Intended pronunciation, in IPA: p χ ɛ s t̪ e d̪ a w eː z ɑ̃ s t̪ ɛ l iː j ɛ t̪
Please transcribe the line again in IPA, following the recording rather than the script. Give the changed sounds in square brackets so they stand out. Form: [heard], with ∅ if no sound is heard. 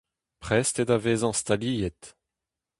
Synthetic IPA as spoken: p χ ɛ s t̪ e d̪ a [v] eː z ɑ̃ s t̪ [a] l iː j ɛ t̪